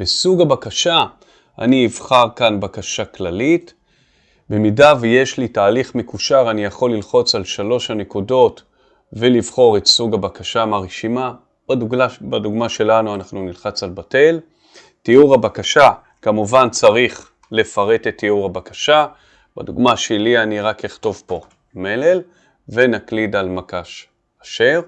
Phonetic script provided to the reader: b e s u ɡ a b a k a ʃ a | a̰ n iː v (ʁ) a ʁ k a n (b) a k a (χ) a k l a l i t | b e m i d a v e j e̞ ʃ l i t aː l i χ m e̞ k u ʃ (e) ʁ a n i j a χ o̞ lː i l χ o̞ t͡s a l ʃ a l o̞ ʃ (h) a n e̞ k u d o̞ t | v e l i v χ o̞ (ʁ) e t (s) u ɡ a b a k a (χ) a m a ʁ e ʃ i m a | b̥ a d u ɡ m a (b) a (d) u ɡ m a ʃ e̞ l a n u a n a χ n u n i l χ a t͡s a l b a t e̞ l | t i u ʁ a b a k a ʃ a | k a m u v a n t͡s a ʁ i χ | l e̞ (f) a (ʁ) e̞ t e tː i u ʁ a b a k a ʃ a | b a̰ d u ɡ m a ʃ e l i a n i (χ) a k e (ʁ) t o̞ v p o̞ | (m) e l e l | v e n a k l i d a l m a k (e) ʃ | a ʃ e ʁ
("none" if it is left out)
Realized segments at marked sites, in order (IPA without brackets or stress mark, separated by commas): χ, b, ʃ, a, h, ʁ, s, ʃ, b, d, f, ʁ, ʁ, χ, m, a